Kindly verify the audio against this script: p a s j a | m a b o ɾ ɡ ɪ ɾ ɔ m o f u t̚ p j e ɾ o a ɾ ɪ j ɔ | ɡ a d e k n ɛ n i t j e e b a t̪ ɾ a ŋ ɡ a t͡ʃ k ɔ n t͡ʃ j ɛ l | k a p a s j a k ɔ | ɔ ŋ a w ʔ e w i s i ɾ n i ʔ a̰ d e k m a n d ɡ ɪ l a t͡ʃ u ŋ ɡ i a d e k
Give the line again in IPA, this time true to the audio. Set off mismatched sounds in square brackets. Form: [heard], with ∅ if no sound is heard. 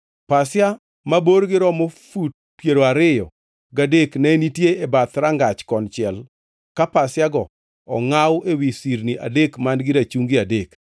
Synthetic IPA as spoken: p a s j a | m a b o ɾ ɡ ɪ ɾ ɔ m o f u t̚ p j e ɾ o a ɾ ɪ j ɔ | ɡ a d e k n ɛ n i t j e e b a t̪ ɾ a ŋ ɡ a t͡ʃ k ɔ n t͡ʃ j ɛ l | k a p a s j a [ɡ] ɔ | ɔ ŋ a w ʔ e w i s i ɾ n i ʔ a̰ d e k m a n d ɡ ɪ [ɾ] a t͡ʃ u ŋ ɡ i a d e k